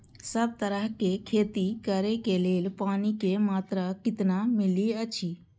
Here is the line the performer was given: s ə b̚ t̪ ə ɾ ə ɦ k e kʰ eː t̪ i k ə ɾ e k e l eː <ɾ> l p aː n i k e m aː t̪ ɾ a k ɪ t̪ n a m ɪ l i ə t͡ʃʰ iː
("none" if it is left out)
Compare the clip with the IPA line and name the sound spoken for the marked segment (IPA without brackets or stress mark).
none